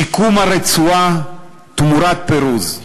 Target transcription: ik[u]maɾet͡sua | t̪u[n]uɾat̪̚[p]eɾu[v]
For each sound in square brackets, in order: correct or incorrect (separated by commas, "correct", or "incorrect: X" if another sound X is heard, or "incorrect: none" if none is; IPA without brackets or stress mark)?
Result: correct, incorrect: m, correct, incorrect: z